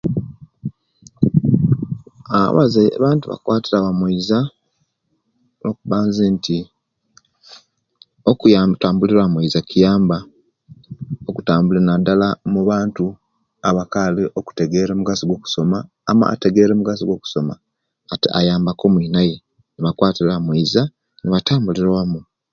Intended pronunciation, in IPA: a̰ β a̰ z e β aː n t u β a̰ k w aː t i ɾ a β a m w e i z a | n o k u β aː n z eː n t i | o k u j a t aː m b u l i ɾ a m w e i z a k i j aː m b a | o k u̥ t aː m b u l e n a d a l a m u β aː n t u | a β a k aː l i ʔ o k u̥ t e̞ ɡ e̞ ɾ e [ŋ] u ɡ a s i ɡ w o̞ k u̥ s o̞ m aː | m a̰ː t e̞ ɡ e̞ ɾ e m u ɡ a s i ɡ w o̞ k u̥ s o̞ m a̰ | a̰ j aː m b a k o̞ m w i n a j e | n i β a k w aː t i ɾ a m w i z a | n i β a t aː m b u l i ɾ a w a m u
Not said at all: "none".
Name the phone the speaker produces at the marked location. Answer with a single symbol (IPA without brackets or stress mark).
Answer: m